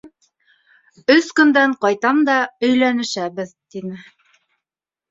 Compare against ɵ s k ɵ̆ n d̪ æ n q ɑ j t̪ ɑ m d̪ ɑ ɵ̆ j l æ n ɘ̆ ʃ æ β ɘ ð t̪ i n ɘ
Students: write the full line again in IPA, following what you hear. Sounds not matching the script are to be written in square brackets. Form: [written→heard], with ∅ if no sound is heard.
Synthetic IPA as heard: ɵ s k ɵ̆ n d̪ æ [n→ɴ] q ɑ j t̪ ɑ m d̪ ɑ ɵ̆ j l æ n ɘ̆ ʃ æ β ɘ ð t̪ i n ɘ